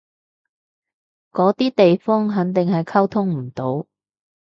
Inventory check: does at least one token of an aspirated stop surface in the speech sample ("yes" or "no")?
yes